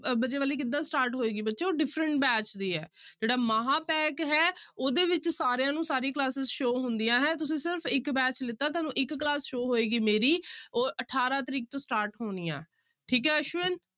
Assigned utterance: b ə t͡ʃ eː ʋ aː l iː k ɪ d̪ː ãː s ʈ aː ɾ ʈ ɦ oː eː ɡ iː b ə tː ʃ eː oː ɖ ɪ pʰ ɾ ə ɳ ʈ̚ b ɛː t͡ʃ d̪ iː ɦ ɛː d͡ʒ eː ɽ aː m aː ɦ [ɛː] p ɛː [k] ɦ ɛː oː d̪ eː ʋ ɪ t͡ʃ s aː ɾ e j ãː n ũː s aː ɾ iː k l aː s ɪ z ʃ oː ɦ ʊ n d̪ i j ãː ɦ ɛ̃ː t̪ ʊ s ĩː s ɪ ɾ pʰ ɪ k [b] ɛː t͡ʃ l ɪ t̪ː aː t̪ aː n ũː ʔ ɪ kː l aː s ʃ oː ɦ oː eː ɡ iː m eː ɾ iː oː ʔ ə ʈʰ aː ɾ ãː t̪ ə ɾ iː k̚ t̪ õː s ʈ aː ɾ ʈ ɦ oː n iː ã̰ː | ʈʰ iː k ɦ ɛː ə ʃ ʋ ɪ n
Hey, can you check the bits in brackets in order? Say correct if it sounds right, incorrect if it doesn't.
incorrect: aː, correct, correct

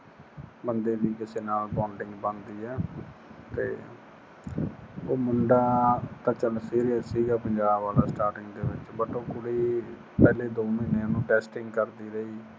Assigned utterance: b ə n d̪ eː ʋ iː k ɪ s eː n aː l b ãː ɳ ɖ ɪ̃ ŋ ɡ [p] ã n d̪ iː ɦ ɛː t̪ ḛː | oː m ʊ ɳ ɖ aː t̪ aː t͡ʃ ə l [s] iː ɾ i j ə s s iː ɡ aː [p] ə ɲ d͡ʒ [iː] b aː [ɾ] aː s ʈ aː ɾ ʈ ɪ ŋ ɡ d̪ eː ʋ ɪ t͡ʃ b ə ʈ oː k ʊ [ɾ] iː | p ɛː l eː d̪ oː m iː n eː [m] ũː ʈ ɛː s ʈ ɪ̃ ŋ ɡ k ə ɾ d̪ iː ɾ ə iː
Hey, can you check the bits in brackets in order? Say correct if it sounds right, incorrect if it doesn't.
incorrect: b, correct, correct, incorrect: aː, incorrect: l, incorrect: ɽ, incorrect: n

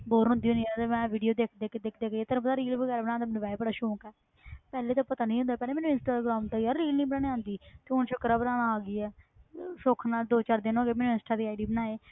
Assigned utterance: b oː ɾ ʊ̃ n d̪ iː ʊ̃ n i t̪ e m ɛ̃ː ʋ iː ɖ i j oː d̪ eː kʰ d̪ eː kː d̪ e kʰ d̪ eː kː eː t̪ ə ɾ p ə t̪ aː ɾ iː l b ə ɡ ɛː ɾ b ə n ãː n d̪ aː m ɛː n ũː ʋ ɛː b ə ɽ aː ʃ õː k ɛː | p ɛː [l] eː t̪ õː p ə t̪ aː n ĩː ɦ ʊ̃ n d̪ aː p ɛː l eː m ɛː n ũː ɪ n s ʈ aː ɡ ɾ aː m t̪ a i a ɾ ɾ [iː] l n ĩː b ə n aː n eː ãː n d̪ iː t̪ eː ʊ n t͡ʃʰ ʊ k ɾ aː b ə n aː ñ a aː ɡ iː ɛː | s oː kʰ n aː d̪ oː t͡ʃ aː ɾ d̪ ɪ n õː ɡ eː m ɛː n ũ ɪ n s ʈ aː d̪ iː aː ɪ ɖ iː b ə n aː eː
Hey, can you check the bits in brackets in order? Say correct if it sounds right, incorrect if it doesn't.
correct, correct

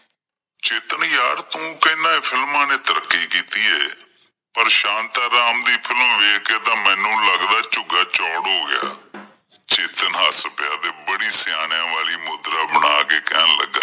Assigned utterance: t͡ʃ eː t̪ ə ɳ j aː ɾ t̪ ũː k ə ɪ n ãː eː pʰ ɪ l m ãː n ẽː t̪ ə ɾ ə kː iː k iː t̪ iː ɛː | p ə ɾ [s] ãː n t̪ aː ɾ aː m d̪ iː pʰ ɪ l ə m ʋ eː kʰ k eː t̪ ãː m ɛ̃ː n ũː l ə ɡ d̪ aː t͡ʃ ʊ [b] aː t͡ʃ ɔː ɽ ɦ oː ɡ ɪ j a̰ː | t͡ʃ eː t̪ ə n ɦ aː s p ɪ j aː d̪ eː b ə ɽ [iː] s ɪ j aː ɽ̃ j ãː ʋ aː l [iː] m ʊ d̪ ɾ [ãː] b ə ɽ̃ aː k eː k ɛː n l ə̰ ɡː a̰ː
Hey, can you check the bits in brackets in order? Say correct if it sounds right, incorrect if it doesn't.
incorrect: ʃ, incorrect: ɡ, correct, correct, incorrect: aː

